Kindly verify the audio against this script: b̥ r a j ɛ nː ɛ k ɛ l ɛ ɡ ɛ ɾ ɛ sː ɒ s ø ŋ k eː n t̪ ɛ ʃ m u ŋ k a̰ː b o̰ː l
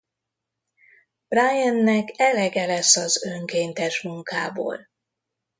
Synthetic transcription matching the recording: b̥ r a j ɛ nː ɛ k ɛ l ɛ ɡ ɛ l ɛ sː ɒ z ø ŋ k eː n t̪ ɛ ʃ m u ŋ k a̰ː b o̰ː l